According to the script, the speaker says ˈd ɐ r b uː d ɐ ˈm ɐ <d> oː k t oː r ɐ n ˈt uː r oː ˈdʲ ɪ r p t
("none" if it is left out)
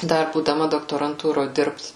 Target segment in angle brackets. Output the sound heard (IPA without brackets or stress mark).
d